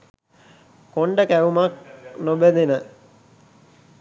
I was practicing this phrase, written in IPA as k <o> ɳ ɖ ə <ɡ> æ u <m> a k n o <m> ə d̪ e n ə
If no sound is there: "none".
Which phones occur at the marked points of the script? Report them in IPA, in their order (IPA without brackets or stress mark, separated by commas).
o, k, m, b